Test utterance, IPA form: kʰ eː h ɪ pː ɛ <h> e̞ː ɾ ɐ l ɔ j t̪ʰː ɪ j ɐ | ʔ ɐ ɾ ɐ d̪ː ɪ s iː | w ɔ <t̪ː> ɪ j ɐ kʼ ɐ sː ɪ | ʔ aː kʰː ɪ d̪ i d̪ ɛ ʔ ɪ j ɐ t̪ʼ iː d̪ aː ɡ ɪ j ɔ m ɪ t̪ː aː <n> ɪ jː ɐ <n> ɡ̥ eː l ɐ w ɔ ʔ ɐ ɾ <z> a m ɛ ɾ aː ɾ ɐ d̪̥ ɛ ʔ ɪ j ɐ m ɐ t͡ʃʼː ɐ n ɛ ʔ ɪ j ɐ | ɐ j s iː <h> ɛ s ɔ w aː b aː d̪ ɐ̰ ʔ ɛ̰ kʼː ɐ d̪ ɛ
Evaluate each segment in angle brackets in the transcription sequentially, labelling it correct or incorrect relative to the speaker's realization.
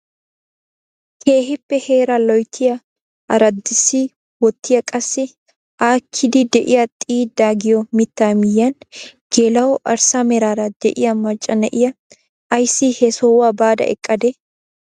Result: correct, correct, incorrect: m, correct, incorrect: s, correct

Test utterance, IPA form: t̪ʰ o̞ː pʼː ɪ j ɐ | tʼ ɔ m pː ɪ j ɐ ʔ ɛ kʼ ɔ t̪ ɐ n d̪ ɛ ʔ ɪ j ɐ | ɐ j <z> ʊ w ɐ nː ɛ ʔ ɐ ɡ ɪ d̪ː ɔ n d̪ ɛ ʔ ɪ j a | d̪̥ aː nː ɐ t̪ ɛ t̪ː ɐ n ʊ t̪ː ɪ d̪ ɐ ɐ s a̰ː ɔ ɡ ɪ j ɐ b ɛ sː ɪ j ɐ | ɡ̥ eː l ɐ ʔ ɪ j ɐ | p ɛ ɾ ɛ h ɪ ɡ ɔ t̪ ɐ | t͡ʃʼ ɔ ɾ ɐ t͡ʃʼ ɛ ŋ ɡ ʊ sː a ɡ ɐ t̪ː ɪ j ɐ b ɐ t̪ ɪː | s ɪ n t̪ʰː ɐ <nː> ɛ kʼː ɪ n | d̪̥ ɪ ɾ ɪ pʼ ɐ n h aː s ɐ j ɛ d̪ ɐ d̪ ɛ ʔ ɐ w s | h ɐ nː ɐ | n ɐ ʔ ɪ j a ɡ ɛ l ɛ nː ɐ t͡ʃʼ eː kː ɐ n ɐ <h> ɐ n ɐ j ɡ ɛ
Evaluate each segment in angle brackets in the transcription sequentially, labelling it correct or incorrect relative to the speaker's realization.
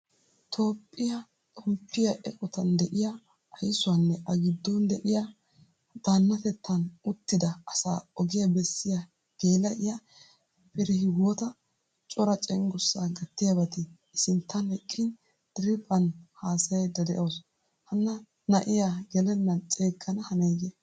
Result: incorrect: s, incorrect: n, correct

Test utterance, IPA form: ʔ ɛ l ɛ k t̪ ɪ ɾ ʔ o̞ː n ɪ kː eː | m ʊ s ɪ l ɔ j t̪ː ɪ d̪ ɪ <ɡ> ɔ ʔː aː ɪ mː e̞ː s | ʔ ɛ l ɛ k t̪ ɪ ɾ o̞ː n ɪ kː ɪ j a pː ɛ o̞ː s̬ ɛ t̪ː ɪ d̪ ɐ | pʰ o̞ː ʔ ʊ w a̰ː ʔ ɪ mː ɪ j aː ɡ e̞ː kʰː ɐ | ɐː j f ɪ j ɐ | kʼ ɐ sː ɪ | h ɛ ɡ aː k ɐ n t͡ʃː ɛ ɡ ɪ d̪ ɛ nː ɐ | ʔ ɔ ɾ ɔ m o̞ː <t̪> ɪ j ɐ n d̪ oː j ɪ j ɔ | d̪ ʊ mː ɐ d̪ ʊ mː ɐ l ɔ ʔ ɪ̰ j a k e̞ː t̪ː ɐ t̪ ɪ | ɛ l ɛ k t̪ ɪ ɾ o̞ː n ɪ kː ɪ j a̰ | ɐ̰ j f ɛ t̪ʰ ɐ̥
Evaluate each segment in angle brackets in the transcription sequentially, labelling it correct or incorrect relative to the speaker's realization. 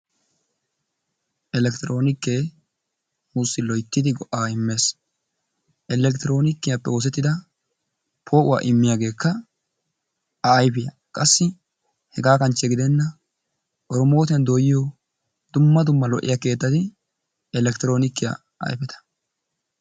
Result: correct, correct

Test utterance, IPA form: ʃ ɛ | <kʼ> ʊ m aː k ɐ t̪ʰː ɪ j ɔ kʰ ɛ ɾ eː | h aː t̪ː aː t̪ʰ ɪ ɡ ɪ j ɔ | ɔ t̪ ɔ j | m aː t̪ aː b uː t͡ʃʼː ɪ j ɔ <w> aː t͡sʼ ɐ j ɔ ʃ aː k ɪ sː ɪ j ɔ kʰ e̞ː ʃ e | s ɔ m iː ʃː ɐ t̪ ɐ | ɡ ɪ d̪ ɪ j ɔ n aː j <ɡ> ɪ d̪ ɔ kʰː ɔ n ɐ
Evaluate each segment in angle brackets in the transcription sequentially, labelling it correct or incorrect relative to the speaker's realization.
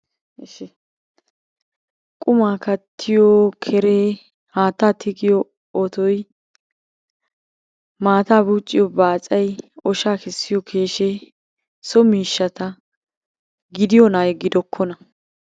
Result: correct, incorrect: b, correct

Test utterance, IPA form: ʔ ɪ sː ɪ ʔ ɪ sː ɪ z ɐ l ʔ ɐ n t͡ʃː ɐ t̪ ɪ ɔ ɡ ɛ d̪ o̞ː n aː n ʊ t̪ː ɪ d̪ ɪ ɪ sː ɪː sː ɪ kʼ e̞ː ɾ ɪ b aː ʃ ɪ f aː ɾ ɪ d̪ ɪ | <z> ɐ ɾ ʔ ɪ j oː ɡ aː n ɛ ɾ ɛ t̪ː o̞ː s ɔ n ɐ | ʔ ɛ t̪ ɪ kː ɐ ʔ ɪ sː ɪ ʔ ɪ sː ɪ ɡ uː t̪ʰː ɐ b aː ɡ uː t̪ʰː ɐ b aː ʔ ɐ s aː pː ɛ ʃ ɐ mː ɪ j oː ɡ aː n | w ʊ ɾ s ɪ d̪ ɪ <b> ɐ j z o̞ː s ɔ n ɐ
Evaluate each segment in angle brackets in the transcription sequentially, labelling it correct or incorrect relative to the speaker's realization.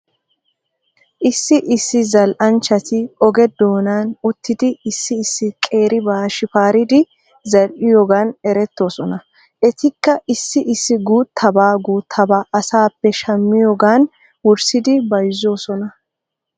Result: correct, correct

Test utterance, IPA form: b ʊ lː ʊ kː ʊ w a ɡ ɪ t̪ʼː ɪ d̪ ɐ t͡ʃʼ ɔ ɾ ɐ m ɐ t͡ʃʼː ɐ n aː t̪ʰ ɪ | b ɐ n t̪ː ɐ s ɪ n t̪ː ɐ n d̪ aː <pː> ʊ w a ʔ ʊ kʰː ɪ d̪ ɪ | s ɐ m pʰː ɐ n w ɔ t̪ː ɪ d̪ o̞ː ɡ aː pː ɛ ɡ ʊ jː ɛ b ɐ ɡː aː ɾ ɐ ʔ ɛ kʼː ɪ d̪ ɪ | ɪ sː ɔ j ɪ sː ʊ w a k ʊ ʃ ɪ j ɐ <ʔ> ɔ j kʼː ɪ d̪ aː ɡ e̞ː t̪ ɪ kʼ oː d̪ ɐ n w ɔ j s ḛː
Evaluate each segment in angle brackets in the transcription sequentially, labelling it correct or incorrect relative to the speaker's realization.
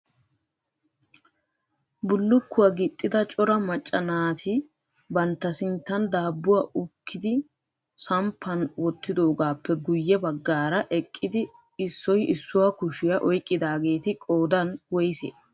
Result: incorrect: bː, correct

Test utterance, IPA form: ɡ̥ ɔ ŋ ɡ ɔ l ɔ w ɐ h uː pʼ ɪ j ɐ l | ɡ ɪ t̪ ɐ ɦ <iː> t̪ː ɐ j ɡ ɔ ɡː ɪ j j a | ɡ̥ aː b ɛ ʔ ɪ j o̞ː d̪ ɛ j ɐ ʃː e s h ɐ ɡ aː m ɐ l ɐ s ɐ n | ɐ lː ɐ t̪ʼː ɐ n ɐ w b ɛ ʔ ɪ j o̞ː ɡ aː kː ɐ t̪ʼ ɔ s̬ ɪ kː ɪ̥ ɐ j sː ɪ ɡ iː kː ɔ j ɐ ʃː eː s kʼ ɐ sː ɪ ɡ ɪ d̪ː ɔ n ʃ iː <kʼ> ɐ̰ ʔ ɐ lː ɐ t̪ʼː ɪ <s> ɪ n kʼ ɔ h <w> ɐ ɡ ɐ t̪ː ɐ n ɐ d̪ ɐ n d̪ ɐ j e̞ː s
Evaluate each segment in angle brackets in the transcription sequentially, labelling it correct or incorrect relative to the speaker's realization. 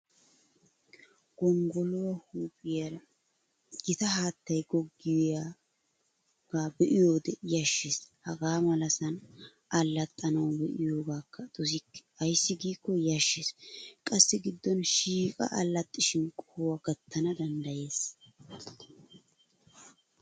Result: incorrect: aː, correct, incorrect: ʃ, correct

